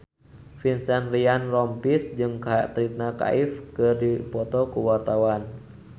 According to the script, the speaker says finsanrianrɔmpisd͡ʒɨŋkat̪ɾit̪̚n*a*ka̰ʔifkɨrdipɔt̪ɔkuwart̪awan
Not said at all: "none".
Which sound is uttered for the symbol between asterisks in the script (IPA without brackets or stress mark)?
a